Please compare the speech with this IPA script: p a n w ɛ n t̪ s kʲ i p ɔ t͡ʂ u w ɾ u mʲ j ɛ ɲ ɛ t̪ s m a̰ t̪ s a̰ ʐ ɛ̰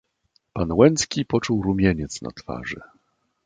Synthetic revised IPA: p a n w ɛ n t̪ s kʲ i p ɔ t͡ʂ u w ɾ u mʲ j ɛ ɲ ɛ t̪ s n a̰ t̪ f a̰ ʐ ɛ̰